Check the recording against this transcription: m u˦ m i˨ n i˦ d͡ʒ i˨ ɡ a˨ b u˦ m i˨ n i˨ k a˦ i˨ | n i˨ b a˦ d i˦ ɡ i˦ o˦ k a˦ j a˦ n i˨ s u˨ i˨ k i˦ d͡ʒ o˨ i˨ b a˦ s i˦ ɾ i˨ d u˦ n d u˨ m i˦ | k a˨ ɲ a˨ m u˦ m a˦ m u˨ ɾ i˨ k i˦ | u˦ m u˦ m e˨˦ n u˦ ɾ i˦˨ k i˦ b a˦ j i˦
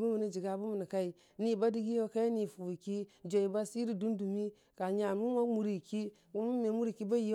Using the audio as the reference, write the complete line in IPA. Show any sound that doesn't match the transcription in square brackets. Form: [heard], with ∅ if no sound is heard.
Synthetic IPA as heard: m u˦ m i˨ n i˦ d͡ʒ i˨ ɡ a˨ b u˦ m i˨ n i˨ k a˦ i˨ | n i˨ b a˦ d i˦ ɡ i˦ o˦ k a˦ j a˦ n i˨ [f] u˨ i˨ k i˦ d͡ʒ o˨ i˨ b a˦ s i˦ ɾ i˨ d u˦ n d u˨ m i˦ | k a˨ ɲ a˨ m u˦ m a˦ m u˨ ɾ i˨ k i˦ | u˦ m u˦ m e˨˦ [m] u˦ ɾ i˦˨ k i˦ b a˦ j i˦